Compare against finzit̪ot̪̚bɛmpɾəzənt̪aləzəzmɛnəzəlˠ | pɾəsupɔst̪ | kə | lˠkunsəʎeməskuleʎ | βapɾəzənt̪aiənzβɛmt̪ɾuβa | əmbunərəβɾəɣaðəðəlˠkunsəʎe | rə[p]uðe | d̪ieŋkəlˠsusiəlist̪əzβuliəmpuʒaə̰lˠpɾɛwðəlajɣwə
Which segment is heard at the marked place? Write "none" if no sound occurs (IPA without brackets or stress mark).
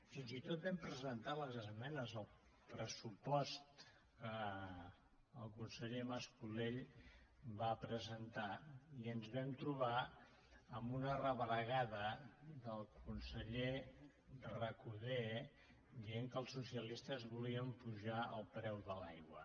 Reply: k